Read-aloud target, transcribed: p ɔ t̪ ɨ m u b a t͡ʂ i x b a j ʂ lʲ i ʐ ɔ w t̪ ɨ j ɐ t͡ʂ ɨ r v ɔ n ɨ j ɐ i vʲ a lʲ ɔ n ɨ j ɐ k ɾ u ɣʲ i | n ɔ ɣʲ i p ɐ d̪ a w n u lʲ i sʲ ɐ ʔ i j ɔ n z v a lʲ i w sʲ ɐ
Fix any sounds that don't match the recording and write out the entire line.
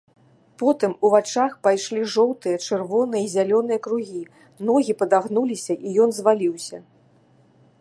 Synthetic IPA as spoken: p ɔ t̪ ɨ m u v a t͡ʂ a x p a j ʂ lʲ i ʐ ɔ w t̪ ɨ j ɐ t͡ʂ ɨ r v ɔ n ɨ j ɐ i zʲ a lʲ ɔ n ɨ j ɐ k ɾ u ɣʲ i | n ɔ ɣʲ i p ɐ d̪ a ɣ n u lʲ i sʲ ɐ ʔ i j ɔ n z v a lʲ i w sʲ ɐ